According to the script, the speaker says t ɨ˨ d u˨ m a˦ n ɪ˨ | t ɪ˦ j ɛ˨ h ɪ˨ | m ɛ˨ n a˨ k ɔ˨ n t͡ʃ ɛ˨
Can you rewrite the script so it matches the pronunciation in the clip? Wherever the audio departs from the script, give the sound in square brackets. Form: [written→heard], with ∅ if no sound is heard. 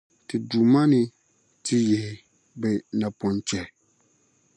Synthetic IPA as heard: t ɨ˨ d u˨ m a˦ n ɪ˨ | t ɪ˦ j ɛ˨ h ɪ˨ | [m→b] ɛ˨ n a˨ [k→p] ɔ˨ n t͡ʃ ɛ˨